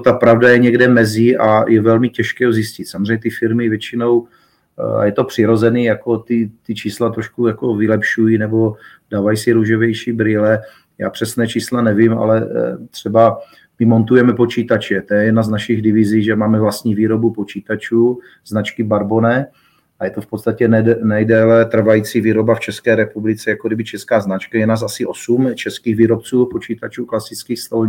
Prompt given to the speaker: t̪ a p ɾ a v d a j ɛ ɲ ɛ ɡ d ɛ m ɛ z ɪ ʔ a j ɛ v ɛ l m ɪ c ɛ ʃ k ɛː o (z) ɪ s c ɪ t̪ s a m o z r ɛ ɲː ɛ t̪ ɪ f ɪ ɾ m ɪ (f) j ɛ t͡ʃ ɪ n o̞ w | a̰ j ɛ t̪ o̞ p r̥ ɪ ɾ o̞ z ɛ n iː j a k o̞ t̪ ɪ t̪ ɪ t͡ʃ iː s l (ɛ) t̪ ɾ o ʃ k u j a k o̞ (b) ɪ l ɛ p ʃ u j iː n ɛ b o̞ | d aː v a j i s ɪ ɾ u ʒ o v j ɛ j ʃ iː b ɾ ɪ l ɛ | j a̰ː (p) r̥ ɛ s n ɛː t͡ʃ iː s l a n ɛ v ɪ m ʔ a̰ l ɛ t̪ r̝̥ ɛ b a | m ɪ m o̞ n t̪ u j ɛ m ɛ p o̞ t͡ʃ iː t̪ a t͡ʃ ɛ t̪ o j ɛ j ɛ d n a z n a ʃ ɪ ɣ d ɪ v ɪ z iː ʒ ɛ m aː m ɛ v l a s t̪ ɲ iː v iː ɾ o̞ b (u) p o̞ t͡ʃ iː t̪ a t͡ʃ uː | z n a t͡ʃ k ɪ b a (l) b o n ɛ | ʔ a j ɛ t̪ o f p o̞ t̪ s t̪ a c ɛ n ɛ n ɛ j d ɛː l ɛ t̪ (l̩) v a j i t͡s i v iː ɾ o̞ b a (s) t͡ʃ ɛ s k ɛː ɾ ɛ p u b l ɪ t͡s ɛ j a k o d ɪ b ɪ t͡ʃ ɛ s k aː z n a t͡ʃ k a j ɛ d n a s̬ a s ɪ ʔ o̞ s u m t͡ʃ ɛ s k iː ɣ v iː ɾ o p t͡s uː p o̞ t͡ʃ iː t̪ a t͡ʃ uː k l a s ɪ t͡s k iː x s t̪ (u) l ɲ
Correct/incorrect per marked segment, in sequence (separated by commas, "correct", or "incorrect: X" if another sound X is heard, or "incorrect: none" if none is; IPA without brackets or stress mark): correct, incorrect: v, incorrect: a, incorrect: v, correct, correct, incorrect: ɾ, incorrect: r̩, incorrect: f, incorrect: o